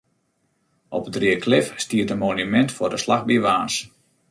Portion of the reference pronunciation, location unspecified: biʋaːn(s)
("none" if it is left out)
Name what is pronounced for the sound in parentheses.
s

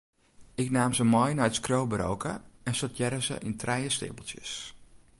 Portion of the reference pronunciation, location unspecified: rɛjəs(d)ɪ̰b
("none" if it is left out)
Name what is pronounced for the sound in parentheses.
t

